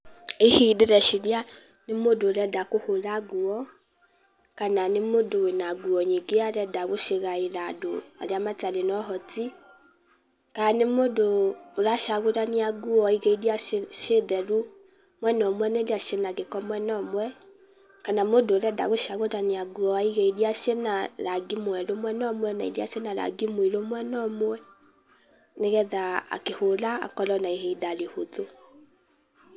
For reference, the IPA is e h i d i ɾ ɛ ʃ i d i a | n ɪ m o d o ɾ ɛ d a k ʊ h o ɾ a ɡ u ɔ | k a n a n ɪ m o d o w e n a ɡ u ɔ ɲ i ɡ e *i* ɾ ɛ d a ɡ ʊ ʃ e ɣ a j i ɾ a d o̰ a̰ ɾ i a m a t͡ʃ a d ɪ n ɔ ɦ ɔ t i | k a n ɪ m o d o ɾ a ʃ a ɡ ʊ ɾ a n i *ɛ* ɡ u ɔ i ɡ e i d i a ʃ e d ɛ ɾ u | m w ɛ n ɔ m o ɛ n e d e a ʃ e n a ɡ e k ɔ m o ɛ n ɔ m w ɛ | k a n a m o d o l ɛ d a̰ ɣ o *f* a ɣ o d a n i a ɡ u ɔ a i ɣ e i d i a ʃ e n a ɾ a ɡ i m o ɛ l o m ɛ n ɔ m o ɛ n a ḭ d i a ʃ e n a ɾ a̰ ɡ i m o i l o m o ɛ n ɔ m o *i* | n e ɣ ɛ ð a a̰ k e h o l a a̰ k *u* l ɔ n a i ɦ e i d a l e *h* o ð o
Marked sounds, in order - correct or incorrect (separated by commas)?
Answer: incorrect, incorrect, incorrect, incorrect, incorrect, correct